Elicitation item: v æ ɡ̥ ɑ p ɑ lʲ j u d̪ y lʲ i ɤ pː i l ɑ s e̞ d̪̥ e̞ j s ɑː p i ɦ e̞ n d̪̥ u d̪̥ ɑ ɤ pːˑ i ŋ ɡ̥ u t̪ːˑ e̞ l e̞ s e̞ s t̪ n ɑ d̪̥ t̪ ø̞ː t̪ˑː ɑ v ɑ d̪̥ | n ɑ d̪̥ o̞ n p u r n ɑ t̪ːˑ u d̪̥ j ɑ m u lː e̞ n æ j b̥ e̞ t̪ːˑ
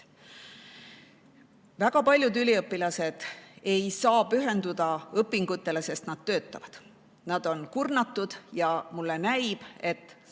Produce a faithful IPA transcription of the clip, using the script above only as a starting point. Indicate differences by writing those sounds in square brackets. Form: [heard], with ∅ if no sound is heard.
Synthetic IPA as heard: v æ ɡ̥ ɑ p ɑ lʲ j u d̪ y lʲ i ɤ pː i l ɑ s e̞ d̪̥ e̞ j s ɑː p [y] ɦ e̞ n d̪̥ u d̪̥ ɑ ɤ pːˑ i ŋ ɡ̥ u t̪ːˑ e̞ l e̞ s e̞ s t̪ n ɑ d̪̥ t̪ ø̞ː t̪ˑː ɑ v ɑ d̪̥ | n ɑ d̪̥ o̞ n [k] u r n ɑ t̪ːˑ u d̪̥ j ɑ m u lː e̞ n æ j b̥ e̞ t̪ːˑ